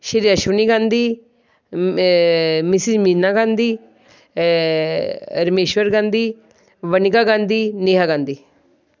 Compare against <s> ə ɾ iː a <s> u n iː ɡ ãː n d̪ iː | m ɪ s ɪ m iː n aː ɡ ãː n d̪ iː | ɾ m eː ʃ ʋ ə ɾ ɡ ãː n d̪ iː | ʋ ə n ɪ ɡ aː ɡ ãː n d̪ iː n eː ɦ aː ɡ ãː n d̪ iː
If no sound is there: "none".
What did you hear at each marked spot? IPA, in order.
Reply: ʃ, ʃ

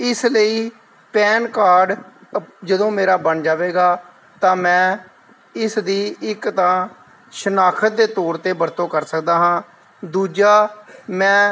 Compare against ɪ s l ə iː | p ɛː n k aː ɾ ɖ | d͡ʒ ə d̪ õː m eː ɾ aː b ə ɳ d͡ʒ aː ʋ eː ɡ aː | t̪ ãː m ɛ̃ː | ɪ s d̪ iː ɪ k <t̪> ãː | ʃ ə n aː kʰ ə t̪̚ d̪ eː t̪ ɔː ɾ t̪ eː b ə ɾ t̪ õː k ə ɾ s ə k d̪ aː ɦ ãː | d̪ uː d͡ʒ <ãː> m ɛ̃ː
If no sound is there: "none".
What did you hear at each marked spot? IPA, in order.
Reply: t̪, aː

